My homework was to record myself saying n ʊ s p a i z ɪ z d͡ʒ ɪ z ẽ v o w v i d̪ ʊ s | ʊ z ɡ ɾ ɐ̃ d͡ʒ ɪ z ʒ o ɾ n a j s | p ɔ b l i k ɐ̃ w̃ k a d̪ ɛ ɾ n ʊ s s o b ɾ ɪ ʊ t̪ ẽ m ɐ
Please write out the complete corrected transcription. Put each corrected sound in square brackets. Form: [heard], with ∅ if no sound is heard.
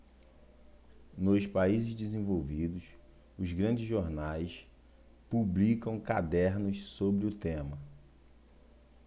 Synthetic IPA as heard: n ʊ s p a i z ɪ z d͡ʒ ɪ z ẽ v o w v i d̪ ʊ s | ʊ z ɡ ɾ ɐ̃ d͡ʒ ɪ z ʒ o ɾ n a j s | p [u] b l i k ɐ̃ w̃ k a d̪ ɛ ɾ n ʊ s s o b ɾ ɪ ʊ t̪ ẽ m ɐ

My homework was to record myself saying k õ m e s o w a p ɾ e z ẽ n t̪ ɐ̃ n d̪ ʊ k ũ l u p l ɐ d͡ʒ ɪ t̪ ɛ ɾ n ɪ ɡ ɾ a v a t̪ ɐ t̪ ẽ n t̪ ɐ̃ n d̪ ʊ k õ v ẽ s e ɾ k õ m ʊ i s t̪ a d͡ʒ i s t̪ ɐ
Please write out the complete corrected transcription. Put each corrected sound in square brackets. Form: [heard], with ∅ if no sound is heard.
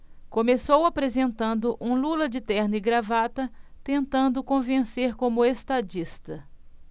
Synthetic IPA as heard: k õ m e s o w a p ɾ e z ẽ n t̪ ɐ̃ n d̪ ʊ [ʔ] ũ l u [∅] l ɐ d͡ʒ ɪ t̪ ɛ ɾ n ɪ ɡ ɾ a v a t̪ ɐ t̪ ẽ n t̪ ɐ̃ n d̪ ʊ k õ v ẽ s e ɾ k õ m ʊ [e] s t̪ a d͡ʒ i s t̪ ɐ

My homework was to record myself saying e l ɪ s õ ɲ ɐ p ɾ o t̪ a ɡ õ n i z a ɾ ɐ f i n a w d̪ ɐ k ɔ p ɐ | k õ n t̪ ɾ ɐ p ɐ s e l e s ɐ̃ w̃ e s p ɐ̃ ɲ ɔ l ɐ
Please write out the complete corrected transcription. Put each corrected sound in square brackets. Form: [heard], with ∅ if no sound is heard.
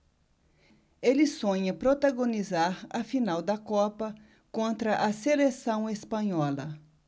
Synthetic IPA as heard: e l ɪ s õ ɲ ɐ p ɾ o t̪ a ɡ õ n i z a ɾ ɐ f i n a w d̪ ɐ k ɔ p ɐ | k õ n t̪ ɾ ɐ [ʔ] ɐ s e l e s ɐ̃ w̃ e s p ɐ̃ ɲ ɔ l ɐ

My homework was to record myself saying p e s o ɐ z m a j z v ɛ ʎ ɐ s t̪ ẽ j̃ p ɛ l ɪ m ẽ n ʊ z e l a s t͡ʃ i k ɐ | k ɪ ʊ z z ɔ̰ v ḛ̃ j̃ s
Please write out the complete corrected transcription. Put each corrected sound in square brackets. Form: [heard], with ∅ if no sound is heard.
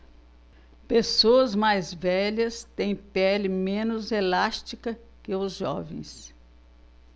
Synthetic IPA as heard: p e s o ɐ z m a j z v ɛ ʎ ɐ s t̪ ẽ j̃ p ɛ l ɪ m ẽ n ʊ z e l a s t͡ʃ i k ɐ | k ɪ ʊ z [ʒ] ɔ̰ v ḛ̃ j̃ s

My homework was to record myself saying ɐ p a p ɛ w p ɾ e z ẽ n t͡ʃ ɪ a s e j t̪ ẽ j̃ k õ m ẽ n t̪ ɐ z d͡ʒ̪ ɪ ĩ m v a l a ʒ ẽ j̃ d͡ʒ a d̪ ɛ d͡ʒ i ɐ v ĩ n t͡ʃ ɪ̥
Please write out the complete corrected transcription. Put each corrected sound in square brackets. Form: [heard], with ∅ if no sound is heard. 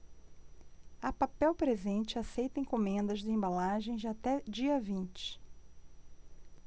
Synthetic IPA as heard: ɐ p a p ɛ w p ɾ e z ẽ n t͡ʃ ɪ a s e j t̪ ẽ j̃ k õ m ẽ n [d̪] ɐ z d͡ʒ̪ ɪ [ẽ] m [b] a l a ʒ ẽ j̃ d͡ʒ a [t̪] ɛ d͡ʒ i ɐ v ĩ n t͡ʃ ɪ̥

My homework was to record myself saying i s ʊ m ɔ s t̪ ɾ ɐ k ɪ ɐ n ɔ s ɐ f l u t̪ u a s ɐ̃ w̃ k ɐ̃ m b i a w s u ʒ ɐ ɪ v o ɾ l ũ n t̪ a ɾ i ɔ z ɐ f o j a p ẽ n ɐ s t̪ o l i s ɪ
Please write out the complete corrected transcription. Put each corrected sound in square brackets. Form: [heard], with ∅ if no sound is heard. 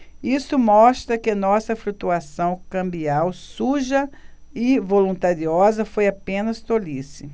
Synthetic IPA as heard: i s ʊ m ɔ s t̪ ɾ ɐ k ɪ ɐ n ɔ s ɐ f l u t̪ u a s ɐ̃ w̃ k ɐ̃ m b i a w s u ʒ ɐ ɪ v o [∅] l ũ n t̪ a ɾ i ɔ z ɐ f o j a p ẽ n ɐ s t̪ o l i s ɪ

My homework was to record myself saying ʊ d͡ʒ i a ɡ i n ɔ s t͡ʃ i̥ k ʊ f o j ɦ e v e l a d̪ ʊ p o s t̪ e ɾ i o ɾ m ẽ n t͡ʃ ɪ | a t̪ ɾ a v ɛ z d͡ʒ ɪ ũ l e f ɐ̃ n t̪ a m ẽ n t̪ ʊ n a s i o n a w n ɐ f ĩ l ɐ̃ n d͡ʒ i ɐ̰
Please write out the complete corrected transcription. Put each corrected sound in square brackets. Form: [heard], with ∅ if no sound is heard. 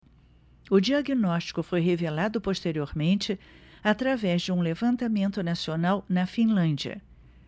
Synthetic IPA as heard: ʊ d͡ʒ i a ɡ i n ɔ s t͡ʃ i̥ k ʊ f o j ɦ e v e l a d̪ ʊ p o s t̪ e ɾ i o ɾ m ẽ n t͡ʃ ɪ | a t̪ ɾ a v ɛ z d͡ʒ ɪ ũ l e [v] ɐ̃ n t̪ a m ẽ n t̪ ʊ n a s i o n a w n ɐ f ĩ l ɐ̃ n d͡ʒ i ɐ̰

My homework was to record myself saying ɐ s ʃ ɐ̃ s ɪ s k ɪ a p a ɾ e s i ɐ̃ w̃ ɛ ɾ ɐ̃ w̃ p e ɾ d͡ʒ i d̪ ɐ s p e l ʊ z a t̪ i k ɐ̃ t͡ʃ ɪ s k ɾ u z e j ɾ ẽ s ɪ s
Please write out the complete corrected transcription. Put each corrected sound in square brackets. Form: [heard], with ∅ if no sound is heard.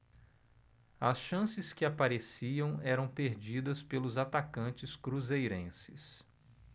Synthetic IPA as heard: ɐ s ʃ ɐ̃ s ɪ s k ɪ a p a ɾ e s i ɐ̃ w̃ ɛ ɾ ɐ̃ w̃ p e ɾ d͡ʒ i d̪ ɐ s p e l ʊ z a t̪ [a] k ɐ̃ t͡ʃ ɪ s k ɾ u z e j ɾ ẽ s ɪ s

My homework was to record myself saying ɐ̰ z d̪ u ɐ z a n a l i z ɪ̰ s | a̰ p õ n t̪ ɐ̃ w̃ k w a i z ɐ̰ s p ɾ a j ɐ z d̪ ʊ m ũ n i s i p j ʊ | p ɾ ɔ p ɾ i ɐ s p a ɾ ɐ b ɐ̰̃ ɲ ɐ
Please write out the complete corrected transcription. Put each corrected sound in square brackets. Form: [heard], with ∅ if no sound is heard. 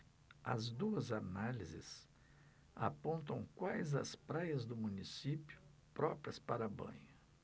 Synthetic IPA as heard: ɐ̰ z d̪ u ɐ z a n a l i z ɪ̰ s | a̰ p õ n t̪ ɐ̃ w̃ k w a [j] z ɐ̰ s p ɾ a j ɐ z d̪ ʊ m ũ n i s i p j ʊ | p ɾ ɔ p ɾ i ɐ s p a ɾ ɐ b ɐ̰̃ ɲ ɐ

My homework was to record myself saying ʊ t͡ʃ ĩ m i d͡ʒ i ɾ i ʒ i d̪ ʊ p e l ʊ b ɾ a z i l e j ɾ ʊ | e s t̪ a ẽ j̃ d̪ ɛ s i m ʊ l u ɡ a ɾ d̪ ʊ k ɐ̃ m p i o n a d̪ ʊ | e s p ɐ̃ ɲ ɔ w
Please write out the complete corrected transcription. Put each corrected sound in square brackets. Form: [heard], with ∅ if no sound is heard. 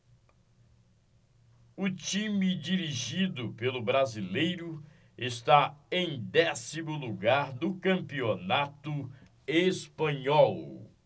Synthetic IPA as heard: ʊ t͡ʃ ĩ m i d͡ʒ i ɾ i ʒ i d̪ ʊ p e l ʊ b ɾ a z i l e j ɾ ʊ | e s t̪ a ẽ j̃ d̪ ɛ s i m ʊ l u ɡ a ɾ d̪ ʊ k ɐ̃ m p i o n a [t̪] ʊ | e s p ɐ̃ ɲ ɔ w

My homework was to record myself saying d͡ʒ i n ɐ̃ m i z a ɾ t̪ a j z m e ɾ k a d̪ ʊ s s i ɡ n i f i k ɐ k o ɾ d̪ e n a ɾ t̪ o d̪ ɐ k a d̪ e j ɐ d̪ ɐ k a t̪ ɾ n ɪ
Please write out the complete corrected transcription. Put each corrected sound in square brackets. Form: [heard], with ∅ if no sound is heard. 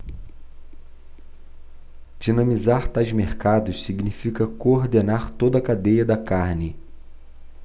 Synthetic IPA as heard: d͡ʒ i n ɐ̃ m i z a ɾ t̪ a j z m e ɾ k a d̪ ʊ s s i ɡ n i f i k ɐ k o ɾ d̪ e n a ɾ t̪ o d̪ ɐ k a d̪ e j ɐ d̪ ɐ k a [∅] ɾ n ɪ

